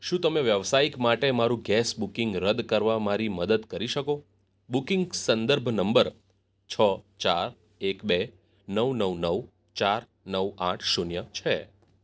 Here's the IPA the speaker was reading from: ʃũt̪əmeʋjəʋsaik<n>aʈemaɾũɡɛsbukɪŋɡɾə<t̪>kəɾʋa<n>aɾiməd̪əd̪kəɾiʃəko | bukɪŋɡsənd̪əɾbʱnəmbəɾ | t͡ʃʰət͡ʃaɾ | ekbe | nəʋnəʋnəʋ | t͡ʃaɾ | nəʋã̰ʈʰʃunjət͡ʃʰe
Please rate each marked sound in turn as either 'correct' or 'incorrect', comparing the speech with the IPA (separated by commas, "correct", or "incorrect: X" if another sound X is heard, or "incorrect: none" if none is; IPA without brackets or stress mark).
incorrect: m, incorrect: d̪, incorrect: m